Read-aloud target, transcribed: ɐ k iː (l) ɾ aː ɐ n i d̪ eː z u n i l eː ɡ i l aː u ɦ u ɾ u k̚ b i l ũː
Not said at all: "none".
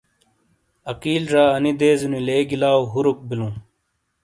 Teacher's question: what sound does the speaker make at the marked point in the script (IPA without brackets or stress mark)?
l